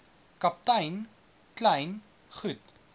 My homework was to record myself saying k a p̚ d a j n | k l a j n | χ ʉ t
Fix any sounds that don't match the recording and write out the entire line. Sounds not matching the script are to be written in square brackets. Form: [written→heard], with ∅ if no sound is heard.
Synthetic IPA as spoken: k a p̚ [d→t] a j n | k l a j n | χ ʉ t

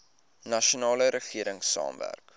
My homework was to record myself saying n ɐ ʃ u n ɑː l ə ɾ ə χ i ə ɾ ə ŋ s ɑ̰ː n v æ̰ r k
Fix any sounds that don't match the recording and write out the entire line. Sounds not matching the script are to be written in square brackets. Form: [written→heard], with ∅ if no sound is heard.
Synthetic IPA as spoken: n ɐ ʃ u n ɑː l ə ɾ ə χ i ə ɾ ə ŋ s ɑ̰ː [n→m] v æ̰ r k

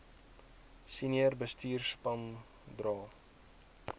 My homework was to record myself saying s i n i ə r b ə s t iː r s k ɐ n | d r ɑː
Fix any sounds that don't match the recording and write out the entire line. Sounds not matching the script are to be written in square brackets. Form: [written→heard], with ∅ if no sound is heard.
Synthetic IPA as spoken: s i n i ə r b ə s t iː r s [k→p] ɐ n | d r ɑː

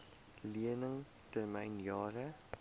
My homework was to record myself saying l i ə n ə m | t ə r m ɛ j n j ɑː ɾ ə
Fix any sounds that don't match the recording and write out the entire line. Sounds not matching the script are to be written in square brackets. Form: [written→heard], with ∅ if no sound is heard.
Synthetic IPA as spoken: l i ə n ə [m→ŋ] | t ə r m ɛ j n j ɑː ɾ ə

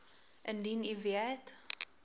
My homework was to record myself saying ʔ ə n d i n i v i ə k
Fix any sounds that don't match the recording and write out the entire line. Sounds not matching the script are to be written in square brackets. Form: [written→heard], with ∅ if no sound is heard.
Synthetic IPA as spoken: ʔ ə n d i n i v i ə [k→t]

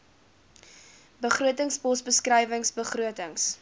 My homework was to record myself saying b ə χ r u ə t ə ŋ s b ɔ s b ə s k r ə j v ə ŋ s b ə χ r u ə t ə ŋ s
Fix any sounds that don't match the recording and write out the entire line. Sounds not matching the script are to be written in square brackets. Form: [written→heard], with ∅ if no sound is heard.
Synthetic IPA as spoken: b ə χ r u ə t ə ŋ s b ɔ s b ə s k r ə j v ə ŋ s b ə χ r u ə t ə ŋ s

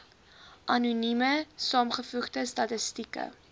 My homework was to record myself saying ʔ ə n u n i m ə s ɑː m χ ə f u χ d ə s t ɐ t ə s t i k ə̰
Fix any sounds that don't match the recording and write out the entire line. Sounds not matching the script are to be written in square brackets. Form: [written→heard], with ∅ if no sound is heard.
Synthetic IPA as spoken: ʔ [ə→ɐ] n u n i m ə s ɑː m χ ə f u χ d ə s t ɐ t ə s t i k ə̰

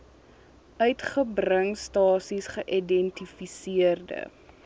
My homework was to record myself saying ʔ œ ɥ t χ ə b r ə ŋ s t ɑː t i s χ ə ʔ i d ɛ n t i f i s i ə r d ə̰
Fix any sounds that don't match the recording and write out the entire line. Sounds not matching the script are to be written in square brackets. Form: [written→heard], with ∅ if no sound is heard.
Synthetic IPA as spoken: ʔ œ ɥ t χ ə b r ə ŋ s t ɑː [t→s] i s χ ə ʔ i d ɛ n t i f i s i ə r d ə̰

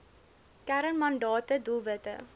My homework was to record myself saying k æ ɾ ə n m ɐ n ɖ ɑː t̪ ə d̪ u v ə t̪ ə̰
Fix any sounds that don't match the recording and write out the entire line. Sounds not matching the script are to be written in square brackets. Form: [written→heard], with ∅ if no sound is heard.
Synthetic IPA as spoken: k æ ɾ ə n m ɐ n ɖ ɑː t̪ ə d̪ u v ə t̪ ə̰

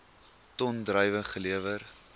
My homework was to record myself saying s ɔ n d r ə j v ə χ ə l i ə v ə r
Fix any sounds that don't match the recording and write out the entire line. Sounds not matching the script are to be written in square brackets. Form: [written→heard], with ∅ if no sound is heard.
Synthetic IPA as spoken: [s→t] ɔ n d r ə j v ə χ ə l i ə v ə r

